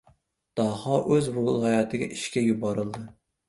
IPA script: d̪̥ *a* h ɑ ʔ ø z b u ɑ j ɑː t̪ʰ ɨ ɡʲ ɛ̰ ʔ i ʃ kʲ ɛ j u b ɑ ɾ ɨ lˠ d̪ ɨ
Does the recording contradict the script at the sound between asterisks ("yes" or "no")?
yes